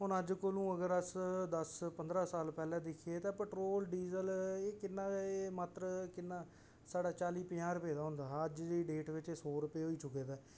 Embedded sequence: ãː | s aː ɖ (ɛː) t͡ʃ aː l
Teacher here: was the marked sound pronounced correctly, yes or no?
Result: no